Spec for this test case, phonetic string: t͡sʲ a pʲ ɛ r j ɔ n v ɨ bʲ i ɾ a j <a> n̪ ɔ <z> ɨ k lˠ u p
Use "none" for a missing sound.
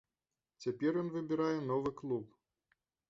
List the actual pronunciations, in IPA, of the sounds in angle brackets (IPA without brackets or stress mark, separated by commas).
ɛ, v